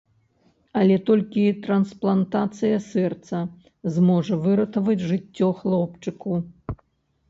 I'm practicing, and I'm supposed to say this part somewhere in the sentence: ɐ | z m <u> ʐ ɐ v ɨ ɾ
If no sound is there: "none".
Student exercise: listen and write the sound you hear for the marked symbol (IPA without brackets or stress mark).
ɔ